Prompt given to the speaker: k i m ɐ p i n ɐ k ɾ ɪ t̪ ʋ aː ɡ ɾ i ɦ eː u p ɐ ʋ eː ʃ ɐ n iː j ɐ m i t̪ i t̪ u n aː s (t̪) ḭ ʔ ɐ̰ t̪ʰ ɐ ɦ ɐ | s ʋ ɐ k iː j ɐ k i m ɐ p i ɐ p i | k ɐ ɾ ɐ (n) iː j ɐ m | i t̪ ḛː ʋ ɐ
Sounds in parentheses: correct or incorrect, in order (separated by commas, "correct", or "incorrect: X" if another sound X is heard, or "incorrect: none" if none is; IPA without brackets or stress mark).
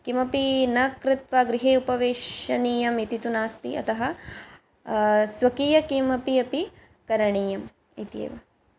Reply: correct, incorrect: ɳ